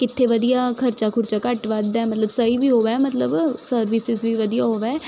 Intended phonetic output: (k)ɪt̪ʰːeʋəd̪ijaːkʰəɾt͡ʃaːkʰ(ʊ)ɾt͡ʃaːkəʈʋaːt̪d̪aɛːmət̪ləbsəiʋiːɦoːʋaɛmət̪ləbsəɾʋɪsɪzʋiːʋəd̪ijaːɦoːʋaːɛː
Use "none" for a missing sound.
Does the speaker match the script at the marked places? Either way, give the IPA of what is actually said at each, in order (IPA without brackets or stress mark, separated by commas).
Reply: k, ʊ